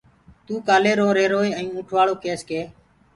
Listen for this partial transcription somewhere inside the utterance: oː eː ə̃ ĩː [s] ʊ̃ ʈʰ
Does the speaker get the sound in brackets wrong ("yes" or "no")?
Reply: yes